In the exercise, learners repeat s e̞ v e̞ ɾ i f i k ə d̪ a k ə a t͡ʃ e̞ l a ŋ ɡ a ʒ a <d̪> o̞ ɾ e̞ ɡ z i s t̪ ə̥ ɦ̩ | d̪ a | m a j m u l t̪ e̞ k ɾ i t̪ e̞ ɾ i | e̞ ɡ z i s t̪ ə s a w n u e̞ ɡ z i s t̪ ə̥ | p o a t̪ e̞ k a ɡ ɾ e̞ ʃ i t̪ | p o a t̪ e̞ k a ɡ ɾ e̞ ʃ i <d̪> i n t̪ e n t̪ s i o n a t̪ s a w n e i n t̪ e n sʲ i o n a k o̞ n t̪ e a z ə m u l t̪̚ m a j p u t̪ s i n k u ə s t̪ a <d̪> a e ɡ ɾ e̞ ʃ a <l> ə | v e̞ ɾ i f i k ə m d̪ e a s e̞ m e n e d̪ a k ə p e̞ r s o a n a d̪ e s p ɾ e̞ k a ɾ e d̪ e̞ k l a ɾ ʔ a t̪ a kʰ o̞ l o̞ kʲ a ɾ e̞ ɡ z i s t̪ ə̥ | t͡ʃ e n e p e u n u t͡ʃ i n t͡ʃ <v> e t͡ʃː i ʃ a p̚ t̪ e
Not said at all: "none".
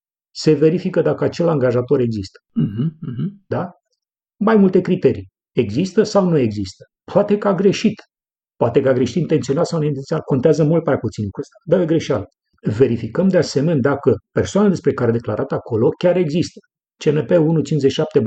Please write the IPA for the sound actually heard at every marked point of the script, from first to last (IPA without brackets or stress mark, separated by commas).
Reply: t̪, t̪, d̪, l, z